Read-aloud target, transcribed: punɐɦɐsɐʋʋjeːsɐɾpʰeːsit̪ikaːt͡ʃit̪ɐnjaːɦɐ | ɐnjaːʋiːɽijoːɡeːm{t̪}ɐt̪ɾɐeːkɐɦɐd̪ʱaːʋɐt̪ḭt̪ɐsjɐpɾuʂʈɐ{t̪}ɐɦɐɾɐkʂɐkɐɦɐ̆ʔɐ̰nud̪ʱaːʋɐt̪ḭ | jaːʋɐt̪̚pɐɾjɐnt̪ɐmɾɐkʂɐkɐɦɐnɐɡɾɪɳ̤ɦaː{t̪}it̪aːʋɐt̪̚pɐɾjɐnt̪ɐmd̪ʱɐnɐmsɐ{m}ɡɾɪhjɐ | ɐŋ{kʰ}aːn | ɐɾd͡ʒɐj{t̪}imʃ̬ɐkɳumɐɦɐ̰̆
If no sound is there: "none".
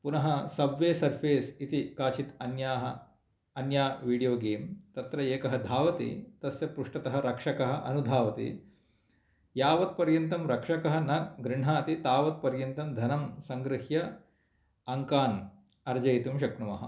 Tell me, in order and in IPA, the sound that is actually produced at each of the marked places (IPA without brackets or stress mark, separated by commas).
t̪, t̪, t̪, ŋ, k, t̪